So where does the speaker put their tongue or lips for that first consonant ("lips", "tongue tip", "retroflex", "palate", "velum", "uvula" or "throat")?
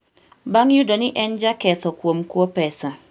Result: lips